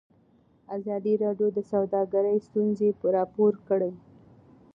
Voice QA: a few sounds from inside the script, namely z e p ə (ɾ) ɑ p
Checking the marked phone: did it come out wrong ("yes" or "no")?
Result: no